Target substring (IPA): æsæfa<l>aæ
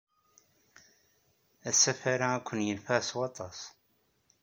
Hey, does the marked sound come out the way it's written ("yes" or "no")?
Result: no